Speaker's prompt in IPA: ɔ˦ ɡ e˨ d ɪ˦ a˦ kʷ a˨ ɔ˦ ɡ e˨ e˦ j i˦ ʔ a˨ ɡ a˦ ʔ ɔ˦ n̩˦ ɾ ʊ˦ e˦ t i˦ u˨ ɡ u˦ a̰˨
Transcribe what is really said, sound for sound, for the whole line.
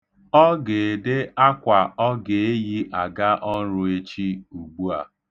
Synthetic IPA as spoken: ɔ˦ ɡ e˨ d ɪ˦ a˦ kʷ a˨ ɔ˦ ɡ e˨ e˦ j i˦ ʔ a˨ ɡ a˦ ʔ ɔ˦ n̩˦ ɾ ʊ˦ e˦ t͡ʃ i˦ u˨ ɡ͡b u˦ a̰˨